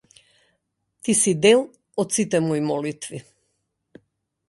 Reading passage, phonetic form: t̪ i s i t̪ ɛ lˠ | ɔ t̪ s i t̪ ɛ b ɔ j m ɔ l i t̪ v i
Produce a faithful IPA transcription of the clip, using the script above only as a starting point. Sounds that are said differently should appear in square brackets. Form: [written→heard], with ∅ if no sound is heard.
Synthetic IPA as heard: t̪ i s i [t̪→d̪] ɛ lˠ | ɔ t̪ s i t̪ ɛ [b→m] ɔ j m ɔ l i t̪ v i